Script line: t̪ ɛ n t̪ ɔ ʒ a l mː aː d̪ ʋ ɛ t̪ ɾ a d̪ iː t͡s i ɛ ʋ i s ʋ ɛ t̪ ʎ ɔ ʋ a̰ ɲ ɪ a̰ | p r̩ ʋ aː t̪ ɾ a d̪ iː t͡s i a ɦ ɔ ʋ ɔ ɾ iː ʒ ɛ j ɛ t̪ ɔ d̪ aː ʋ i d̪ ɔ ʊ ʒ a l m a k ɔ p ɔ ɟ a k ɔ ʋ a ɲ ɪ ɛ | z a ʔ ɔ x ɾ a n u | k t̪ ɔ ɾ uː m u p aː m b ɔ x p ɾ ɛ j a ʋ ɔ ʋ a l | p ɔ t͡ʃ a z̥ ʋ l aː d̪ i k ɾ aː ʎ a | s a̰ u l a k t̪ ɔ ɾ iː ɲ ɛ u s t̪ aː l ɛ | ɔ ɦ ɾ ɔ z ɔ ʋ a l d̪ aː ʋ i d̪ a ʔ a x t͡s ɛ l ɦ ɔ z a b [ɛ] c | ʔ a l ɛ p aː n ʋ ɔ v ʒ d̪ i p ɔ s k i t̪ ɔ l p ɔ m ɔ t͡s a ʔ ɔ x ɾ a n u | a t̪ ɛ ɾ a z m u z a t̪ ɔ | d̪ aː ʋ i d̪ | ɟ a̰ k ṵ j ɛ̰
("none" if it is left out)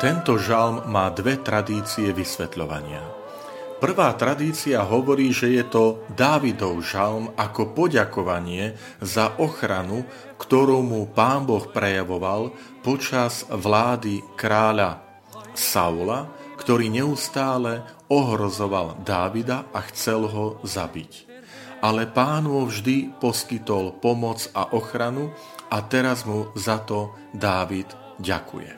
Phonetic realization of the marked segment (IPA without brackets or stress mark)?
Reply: i